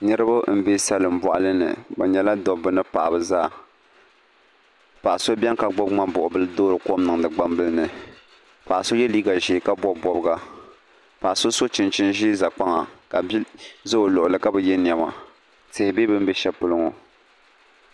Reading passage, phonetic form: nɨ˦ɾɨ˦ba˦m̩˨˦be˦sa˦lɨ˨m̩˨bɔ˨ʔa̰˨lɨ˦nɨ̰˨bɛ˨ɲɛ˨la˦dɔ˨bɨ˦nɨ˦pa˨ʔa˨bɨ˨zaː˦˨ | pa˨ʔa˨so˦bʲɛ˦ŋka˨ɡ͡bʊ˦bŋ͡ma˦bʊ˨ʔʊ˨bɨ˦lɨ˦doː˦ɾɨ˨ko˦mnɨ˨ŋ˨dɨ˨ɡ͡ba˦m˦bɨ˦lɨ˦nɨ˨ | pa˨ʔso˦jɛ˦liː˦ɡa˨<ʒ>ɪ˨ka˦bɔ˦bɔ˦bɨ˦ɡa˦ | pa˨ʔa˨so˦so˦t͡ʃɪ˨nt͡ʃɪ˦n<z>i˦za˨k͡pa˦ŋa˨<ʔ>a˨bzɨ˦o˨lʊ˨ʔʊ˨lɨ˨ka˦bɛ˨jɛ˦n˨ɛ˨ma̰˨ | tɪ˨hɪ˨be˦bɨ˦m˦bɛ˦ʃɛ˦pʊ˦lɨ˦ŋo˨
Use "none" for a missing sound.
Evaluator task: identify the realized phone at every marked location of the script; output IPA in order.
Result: ʒ, ʒ, k

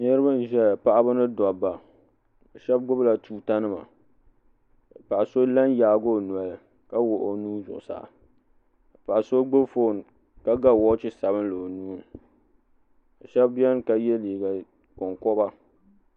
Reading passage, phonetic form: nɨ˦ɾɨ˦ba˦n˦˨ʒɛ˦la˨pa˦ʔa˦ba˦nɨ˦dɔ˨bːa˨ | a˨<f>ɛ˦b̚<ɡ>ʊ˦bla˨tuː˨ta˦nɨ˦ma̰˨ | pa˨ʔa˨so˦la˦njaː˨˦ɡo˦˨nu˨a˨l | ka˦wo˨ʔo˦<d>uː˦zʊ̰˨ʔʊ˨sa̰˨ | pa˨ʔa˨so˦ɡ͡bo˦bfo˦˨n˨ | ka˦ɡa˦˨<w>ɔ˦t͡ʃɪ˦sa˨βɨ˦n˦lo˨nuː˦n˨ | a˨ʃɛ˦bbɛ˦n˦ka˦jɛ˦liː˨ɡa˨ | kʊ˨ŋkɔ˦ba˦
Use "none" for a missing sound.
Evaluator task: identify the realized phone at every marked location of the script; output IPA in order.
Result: ʃ, ɡ, n, w

